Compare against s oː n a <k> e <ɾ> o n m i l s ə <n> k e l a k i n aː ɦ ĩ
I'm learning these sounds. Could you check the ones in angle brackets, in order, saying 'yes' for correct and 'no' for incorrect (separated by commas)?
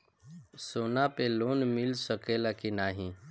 no, no, no